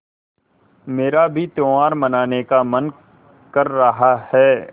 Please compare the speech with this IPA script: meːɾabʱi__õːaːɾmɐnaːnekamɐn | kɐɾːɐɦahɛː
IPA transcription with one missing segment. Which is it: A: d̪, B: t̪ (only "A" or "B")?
B